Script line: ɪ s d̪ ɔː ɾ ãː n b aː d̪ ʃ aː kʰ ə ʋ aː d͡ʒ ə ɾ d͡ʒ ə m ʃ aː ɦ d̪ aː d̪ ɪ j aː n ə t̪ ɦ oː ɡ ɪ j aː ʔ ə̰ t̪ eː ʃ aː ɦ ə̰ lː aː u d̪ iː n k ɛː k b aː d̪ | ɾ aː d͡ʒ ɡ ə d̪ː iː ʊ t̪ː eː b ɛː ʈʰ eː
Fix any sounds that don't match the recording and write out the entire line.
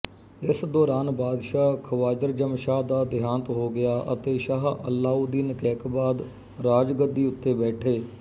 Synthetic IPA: ɪ s d̪ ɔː ɾ aː n b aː d̪ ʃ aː kʰ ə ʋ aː d͡ʒ ə ɾ d͡ʒ ə m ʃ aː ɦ d̪ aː d̪ ɪ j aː n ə t̪ ɦ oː ɡ ɪ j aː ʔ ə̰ t̪ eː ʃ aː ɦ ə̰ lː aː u d̪ iː n k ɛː k b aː d̪ | ɾ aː d͡ʒ ɡ ə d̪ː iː ʊ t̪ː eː b ɛː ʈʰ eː